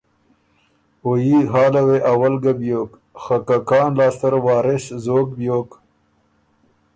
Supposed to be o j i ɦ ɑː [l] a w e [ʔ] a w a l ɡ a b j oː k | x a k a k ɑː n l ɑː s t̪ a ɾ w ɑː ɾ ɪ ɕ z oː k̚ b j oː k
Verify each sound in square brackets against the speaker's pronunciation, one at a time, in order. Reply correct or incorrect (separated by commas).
correct, correct